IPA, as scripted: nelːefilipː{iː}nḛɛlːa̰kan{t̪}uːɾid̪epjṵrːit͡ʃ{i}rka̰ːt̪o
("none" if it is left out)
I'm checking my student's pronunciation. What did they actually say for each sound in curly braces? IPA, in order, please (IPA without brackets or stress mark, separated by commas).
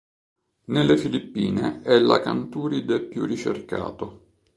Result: iː, t̪, e